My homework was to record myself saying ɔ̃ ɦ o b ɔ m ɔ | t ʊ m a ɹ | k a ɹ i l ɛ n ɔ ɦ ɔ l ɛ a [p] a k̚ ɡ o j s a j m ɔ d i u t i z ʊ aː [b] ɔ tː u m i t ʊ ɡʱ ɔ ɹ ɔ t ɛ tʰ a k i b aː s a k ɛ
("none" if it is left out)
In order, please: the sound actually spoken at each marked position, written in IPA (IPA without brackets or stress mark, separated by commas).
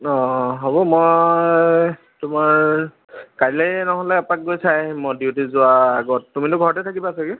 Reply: p, ɡ